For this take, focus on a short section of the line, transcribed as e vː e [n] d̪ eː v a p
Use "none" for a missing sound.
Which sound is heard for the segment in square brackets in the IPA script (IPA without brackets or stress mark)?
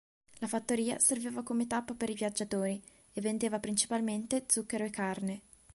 n